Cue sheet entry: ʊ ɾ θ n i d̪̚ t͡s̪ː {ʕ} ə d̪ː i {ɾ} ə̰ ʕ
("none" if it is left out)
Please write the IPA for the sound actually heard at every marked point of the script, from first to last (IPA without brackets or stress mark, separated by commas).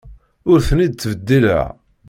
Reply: v, l